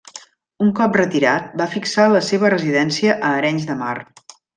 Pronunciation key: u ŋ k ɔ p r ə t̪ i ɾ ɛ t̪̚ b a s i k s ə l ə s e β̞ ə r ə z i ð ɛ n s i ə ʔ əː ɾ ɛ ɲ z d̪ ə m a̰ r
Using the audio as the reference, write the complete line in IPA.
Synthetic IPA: u ŋ k ɔ p r ə t̪ i ɾ a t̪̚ b a f i k s a l ə s e β̞ ə r ə z i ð ɛ n s i ə ʔ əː ɾ ɛ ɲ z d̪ ə m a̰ r